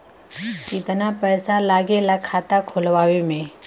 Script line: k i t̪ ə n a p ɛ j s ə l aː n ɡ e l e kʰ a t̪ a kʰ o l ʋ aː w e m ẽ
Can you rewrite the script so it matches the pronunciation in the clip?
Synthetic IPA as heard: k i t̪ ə n a p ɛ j s a l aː ɡ e l a kʰ a t̪ a kʰ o l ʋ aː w e m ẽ